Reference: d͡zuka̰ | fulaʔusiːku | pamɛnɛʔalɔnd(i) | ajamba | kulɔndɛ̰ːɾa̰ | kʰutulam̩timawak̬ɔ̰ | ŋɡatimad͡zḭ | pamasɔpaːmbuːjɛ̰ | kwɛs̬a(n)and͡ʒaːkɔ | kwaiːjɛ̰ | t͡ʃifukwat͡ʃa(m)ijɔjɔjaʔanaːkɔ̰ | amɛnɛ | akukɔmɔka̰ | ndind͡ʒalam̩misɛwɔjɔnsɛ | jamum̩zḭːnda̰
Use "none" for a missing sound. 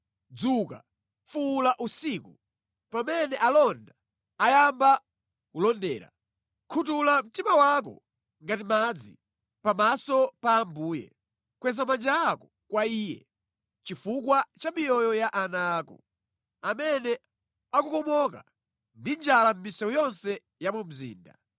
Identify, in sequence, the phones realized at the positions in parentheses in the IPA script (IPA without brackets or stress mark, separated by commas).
a, m, m